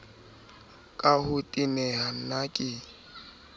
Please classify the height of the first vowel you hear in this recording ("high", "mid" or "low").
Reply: low